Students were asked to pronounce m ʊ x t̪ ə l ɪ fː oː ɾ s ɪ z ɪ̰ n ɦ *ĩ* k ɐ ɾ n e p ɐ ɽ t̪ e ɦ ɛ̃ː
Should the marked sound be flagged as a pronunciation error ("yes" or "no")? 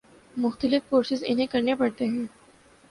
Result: yes